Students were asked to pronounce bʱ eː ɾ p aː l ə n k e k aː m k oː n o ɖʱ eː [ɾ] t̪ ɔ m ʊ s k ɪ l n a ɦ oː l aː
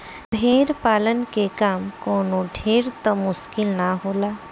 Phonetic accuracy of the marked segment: correct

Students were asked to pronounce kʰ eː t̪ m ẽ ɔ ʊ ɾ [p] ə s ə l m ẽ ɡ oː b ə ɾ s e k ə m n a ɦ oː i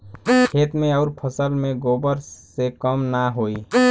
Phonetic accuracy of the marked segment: incorrect: pʰ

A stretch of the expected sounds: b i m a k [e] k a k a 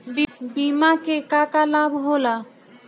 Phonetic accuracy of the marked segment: correct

